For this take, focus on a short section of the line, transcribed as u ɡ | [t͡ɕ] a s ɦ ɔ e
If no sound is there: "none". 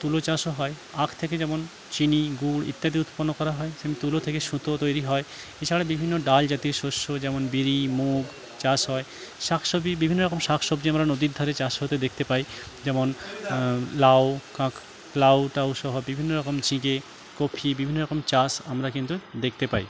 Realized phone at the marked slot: t͡ɕ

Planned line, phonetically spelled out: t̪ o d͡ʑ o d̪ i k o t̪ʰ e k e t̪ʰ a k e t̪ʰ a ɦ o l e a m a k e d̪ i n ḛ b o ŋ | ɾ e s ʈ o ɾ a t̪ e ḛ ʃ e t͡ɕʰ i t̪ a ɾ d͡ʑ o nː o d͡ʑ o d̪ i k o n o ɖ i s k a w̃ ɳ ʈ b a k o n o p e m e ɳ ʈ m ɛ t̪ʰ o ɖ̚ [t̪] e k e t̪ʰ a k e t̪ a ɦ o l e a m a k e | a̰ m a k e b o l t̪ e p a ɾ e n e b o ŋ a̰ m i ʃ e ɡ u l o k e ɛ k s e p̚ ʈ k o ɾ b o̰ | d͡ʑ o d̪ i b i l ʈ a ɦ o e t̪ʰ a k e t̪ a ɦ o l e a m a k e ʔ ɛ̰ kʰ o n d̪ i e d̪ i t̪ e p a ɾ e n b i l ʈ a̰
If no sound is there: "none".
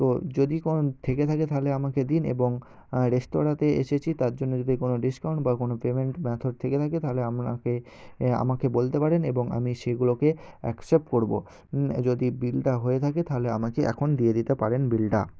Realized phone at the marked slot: t̪ʰ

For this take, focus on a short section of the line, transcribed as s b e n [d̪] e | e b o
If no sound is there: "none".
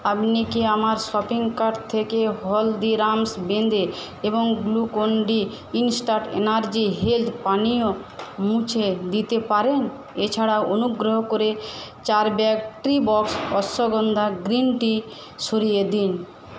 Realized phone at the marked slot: d̪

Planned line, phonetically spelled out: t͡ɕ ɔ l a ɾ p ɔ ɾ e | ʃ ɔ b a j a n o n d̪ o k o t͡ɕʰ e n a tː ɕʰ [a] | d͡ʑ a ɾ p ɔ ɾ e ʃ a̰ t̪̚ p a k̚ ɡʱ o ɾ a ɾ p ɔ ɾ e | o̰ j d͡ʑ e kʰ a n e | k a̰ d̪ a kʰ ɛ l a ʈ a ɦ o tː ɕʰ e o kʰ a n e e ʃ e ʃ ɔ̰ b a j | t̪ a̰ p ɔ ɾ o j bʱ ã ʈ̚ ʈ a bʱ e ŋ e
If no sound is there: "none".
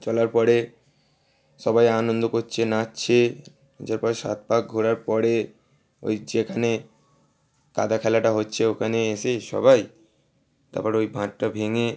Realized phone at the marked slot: e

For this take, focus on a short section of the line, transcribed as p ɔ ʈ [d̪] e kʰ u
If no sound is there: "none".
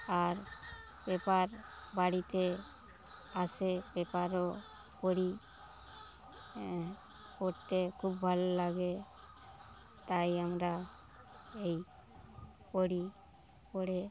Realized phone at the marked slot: t̪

